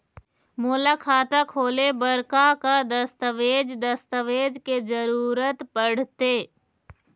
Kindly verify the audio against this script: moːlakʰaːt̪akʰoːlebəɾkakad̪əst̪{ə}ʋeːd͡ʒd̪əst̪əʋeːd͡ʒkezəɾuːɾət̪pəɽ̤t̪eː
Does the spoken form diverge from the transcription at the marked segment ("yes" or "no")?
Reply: no